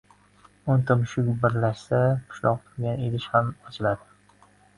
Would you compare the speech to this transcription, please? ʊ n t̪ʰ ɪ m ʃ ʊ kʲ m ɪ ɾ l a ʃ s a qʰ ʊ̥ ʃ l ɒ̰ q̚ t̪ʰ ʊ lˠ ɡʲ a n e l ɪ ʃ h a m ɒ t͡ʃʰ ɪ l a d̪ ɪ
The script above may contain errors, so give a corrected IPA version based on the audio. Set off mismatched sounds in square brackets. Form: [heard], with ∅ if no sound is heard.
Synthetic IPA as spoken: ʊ n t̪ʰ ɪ m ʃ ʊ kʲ [b] ɪ ɾ l a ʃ s a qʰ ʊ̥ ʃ l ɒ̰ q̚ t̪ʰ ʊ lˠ ɡʲ a n e l ɪ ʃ h a m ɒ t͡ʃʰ ɪ l a d̪ ɪ